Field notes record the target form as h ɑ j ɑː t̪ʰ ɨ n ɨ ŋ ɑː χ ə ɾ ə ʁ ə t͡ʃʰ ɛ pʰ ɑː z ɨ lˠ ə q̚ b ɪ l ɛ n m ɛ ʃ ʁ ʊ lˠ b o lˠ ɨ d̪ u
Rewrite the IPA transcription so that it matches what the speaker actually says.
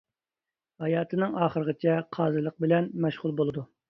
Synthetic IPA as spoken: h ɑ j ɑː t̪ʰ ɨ n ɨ ŋ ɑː χ ə ɾ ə ʁ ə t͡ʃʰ ɛ qʰ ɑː z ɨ lˠ ə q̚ b ɪ l ɛ n m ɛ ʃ ʁ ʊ lˠ b o lˠ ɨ d̪ u